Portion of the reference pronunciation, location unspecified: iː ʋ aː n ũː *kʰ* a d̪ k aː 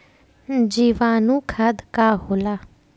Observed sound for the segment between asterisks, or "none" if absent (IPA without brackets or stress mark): kʰ